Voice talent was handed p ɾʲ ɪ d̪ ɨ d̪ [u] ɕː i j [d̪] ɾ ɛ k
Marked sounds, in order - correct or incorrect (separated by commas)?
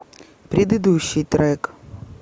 correct, incorrect